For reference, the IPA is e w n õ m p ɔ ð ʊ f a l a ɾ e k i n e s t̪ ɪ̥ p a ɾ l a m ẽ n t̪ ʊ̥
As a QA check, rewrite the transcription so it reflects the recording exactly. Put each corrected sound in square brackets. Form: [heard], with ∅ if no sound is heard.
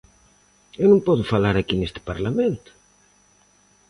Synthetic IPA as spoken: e w n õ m p ɔ ð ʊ f a l a ɾ [a] k i n e s t̪ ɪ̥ p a ɾ l a m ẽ n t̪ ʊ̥

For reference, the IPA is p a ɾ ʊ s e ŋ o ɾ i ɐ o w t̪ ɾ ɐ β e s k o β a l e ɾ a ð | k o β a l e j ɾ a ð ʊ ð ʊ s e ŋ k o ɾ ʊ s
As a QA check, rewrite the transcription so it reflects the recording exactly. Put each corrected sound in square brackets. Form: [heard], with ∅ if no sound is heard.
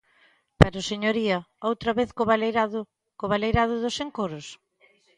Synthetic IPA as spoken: p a ɾ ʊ s e [ɲ] o ɾ i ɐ o w t̪ ɾ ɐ β e [θ] k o β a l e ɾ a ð | k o β a l e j ɾ a ð ʊ ð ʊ s e ŋ k o ɾ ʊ s

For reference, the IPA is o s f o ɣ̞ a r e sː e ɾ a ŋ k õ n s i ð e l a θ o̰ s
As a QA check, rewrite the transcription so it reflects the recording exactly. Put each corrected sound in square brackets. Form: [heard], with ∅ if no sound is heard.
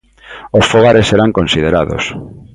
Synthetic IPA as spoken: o s f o ɣ̞ a [ɾ] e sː e ɾ a ŋ k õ n s i ð e [ɾ] a [ð] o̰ s

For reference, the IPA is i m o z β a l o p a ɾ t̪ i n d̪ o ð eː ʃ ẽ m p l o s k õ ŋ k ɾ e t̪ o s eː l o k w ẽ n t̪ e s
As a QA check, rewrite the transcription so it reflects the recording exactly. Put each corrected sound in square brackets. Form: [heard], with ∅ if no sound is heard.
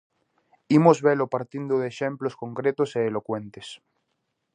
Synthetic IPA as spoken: i m o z β [e] l o p a ɾ t̪ i n d̪ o ð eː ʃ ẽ m p l o s k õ ŋ k ɾ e t̪ o s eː l o k w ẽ n t̪ e s

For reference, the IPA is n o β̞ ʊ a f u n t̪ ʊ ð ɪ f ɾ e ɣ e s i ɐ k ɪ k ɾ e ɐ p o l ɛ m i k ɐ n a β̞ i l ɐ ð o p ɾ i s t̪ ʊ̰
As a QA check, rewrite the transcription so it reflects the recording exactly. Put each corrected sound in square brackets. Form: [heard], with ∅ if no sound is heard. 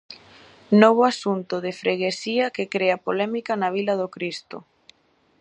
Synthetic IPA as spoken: n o β̞ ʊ a [s] u n t̪ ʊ ð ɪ f ɾ e ɣ e s i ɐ k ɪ k ɾ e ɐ p o l ɛ m i k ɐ n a β̞ i l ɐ ð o [k] ɾ i s t̪ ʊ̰

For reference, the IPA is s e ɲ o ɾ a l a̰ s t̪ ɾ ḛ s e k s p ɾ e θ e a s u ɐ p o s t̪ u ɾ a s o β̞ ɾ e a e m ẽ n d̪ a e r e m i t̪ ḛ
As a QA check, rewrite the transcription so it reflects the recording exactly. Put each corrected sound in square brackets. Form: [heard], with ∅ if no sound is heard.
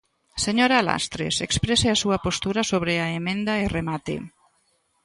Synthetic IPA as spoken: s e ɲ o ɾ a l a̰ s t̪ ɾ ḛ s e k s p ɾ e [s] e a s u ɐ p o s t̪ u ɾ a s o β̞ ɾ e a e m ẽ n d̪ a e r e m [a] t̪ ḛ

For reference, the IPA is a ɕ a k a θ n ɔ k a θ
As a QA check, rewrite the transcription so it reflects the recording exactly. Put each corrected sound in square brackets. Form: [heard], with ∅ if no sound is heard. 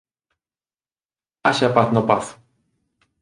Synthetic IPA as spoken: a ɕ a [p] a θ n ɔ [p] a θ

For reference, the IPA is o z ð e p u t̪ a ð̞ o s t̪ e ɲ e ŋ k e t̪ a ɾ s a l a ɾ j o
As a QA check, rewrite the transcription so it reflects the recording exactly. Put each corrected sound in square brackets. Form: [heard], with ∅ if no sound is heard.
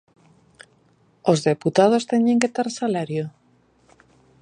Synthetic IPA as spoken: o z ð e p u t̪ a ð̞ o s t̪ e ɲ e ŋ k e t̪ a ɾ s a l a ɾ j o

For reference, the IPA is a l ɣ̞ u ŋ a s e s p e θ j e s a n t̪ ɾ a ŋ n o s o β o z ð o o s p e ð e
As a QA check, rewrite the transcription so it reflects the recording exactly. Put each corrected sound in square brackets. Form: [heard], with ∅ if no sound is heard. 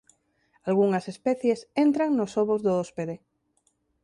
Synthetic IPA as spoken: a l ɣ̞ u ŋ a s e s p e θ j e s [e] n t̪ ɾ a ŋ n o s o β o z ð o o s p e ð e

